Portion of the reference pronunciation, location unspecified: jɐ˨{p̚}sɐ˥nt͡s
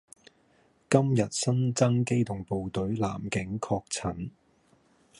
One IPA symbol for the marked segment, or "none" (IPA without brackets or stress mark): t̚